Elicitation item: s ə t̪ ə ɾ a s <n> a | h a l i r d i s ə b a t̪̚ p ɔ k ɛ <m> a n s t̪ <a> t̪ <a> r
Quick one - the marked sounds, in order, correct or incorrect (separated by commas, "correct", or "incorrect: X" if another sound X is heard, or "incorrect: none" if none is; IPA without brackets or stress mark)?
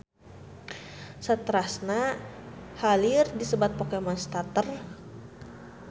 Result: correct, correct, correct, incorrect: ə